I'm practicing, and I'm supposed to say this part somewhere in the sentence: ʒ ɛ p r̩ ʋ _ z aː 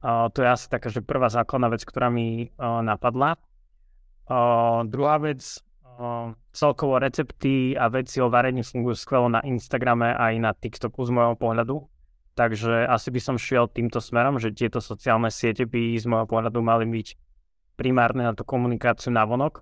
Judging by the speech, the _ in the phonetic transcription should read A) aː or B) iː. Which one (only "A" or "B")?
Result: A